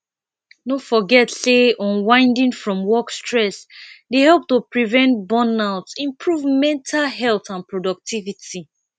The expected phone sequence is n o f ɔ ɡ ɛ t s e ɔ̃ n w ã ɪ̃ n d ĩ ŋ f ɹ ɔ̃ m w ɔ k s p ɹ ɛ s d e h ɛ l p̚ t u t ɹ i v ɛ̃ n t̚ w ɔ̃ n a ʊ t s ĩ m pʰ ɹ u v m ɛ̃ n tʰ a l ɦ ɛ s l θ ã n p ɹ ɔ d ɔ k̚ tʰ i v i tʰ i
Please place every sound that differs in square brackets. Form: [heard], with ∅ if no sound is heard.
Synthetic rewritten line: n o f ɔ ɡ ɛ t s e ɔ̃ n w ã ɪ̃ n d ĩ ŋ f ɹ ɔ̃ m w ɔ k s [t] ɹ ɛ s d e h ɛ l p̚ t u [p] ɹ i v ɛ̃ n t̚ [b] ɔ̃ n a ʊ t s ĩ m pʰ ɹ u v m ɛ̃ n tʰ a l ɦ ɛ [∅] l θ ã n p ɹ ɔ d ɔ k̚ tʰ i v i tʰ i

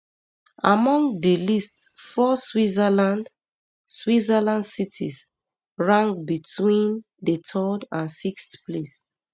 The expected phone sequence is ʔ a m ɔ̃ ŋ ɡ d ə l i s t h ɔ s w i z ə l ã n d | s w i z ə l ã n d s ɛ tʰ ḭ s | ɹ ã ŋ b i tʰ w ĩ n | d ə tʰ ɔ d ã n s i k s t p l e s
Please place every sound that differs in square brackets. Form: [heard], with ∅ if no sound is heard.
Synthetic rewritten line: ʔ a m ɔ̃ ŋ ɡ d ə l i s t [f] ɔ s w i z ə l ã n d | s w i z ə l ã n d s [i] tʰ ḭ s | ɹ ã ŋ b i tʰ w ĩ n | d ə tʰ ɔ d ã n s i k s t p l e s

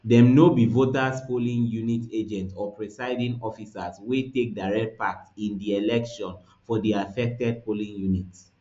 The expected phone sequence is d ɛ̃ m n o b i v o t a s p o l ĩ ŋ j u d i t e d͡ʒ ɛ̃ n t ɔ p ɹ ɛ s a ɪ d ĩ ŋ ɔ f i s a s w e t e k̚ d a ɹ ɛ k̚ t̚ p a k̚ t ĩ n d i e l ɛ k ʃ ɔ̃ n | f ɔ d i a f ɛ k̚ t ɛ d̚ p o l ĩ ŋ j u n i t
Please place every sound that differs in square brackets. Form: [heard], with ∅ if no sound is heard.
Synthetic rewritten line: d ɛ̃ m n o b i v o t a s p o l ĩ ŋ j u [n] i t e d͡ʒ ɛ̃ n t ɔ p ɹ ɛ s a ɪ d ĩ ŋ ɔ f i s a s w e t e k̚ d a ɹ ɛ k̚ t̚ p a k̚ t ĩ n d i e l ɛ k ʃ ɔ̃ n | f ɔ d i a f ɛ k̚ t ɛ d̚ p o l ĩ ŋ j u n i t

